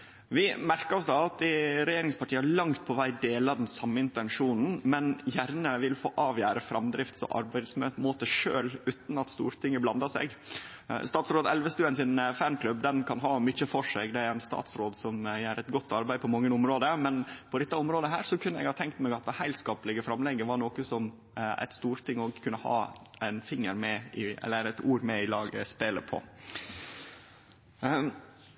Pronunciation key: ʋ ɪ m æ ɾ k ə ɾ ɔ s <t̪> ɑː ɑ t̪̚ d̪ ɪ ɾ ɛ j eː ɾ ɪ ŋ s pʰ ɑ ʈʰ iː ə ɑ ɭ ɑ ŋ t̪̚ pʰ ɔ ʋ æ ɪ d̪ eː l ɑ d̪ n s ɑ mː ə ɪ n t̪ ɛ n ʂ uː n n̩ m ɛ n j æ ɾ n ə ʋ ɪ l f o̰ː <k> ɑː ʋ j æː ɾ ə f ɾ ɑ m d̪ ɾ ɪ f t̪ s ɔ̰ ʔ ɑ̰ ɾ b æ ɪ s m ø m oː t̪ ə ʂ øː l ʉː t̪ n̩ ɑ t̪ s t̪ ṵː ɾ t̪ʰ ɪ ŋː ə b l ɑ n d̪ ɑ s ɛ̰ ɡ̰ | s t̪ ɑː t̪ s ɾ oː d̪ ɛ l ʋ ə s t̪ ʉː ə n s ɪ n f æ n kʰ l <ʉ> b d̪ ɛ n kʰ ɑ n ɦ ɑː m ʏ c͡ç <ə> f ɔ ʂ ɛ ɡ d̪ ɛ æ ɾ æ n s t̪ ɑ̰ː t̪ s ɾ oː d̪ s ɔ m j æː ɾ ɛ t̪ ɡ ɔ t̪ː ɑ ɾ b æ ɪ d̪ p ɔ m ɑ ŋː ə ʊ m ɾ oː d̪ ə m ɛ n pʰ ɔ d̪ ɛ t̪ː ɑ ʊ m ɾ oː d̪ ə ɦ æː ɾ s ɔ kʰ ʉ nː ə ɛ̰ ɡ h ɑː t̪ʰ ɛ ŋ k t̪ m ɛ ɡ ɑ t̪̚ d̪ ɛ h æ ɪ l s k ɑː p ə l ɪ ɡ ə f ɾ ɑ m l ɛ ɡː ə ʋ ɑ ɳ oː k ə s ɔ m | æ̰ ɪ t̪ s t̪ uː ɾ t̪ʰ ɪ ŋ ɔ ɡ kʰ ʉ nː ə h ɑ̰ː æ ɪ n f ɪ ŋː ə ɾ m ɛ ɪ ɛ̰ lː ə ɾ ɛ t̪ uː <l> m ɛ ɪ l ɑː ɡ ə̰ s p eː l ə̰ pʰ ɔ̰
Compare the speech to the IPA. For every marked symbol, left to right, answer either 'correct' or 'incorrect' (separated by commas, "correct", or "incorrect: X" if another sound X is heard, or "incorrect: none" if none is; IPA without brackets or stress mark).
incorrect: d̪, incorrect: ʔ, correct, correct, incorrect: ɾ